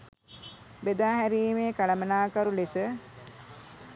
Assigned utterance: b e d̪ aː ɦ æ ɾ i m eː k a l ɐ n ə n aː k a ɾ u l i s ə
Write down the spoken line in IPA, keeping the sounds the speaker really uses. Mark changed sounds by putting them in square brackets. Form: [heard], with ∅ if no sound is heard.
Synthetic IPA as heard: b e d̪ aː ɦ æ ɾ [iː] m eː k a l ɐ [m] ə n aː k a ɾ u l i s ə